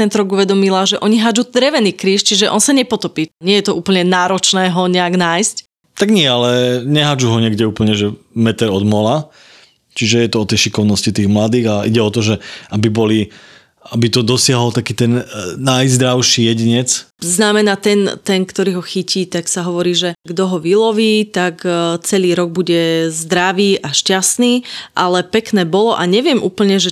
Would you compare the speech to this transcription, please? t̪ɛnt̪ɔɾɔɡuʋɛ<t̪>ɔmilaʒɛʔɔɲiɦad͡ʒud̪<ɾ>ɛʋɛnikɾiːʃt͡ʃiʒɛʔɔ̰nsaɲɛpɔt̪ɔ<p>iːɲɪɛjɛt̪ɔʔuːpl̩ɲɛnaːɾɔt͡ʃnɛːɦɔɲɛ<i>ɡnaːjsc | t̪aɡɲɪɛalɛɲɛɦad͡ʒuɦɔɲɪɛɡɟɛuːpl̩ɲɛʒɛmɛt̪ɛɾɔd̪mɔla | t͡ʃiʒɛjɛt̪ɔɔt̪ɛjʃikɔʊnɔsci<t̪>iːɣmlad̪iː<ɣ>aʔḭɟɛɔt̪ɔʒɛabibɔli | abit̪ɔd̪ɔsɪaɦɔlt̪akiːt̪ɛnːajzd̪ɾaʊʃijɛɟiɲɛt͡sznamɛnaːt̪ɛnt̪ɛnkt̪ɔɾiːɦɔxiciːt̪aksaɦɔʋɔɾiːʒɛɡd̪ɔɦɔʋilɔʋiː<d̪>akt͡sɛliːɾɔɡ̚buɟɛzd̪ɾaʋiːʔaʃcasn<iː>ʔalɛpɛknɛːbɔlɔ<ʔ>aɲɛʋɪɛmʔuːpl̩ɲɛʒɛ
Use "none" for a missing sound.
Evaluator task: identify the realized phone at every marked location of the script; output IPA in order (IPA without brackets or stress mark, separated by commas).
d̪, ɾ, p, a, t̪, ɣ, t̪, iː, ʔ